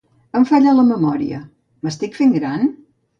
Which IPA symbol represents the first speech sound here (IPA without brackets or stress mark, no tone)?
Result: ə